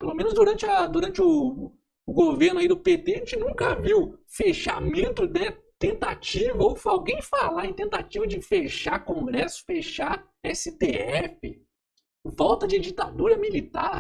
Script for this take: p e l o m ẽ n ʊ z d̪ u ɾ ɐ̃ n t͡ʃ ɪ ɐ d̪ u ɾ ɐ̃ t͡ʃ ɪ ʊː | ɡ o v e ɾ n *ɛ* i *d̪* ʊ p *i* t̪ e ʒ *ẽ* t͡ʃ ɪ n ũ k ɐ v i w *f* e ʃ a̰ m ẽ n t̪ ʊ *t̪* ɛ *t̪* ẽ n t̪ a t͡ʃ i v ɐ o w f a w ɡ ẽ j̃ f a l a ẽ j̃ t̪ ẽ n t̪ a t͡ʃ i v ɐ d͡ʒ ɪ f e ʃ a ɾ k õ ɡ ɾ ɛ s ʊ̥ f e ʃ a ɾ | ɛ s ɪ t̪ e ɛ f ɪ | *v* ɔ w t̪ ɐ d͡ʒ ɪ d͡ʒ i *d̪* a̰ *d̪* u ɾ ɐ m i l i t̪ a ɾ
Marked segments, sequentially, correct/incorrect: incorrect, correct, incorrect, correct, correct, incorrect, correct, correct, incorrect, correct

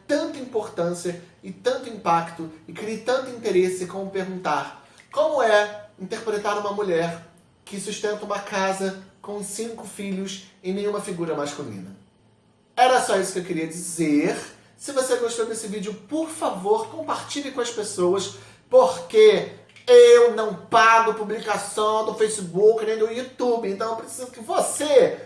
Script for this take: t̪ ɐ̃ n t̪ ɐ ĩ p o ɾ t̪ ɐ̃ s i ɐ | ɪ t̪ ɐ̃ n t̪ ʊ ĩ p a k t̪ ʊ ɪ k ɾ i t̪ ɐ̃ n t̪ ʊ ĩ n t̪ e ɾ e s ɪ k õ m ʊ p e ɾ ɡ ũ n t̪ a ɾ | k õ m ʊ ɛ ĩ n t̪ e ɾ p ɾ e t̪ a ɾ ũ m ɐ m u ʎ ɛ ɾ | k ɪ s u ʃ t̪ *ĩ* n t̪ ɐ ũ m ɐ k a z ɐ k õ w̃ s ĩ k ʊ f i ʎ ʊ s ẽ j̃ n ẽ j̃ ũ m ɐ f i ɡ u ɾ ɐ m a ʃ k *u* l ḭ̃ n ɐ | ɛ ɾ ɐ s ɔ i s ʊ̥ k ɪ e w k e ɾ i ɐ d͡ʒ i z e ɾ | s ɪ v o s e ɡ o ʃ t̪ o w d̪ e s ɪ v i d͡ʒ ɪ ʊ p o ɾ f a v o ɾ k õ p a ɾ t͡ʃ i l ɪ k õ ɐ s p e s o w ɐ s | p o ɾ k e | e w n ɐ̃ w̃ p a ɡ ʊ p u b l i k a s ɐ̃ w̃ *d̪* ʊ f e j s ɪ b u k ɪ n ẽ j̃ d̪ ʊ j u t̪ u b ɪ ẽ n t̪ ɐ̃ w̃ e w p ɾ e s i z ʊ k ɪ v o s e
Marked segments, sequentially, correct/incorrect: incorrect, correct, correct

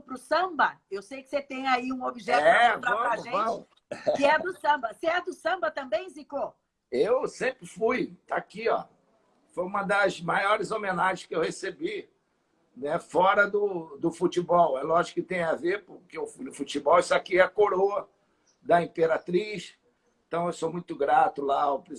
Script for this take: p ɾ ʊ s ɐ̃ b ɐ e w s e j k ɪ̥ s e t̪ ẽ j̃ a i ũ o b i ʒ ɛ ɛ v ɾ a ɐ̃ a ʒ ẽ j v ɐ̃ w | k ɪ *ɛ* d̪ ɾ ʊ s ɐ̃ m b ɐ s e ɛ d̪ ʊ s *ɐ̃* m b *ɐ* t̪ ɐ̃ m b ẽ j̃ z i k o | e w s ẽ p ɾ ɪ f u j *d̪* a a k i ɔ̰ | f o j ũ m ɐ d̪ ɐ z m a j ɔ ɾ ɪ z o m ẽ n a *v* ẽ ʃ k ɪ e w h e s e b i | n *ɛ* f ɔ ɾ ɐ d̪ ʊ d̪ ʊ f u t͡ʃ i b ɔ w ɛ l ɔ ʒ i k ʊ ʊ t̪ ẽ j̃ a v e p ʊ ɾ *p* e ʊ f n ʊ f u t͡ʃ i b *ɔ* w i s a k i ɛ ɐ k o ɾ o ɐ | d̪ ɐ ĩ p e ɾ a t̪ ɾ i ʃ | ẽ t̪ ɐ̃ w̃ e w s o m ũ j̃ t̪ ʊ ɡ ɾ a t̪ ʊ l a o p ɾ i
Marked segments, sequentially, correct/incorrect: correct, correct, correct, incorrect, incorrect, correct, incorrect, correct

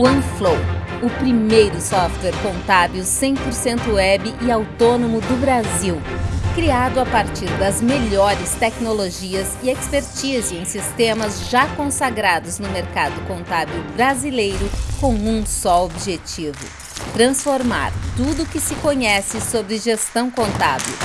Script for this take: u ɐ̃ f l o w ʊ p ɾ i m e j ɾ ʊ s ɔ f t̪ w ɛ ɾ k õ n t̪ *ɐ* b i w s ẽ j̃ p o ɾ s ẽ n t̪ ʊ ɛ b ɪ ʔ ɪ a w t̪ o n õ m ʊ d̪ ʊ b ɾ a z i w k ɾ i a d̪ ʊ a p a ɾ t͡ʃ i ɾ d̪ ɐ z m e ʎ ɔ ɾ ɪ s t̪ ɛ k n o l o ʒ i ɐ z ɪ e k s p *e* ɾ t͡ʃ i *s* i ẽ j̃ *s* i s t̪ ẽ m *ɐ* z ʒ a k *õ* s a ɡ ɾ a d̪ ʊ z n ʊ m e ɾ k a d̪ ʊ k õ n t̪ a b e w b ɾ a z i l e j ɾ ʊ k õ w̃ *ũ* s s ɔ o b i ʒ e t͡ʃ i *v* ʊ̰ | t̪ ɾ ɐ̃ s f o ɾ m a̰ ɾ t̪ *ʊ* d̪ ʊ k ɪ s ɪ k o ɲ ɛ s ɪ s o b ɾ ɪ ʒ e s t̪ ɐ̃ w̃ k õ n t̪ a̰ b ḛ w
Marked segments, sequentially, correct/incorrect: incorrect, correct, incorrect, correct, correct, correct, correct, correct, incorrect

